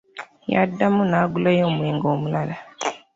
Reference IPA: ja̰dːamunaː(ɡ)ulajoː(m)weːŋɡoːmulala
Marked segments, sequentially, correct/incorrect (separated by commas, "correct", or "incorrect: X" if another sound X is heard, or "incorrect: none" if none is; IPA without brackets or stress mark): correct, correct